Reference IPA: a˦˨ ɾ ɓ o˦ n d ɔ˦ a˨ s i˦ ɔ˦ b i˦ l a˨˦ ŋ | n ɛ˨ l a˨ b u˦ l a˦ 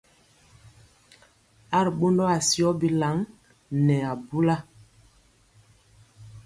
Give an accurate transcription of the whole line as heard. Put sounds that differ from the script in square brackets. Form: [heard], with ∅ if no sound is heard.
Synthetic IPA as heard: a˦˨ ɾ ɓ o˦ n d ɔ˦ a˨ s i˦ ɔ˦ b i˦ l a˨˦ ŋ | n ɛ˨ [∅] a˨ b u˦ l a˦